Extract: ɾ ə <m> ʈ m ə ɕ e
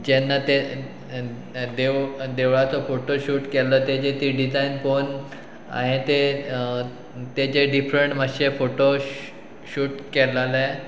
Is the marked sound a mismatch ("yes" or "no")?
yes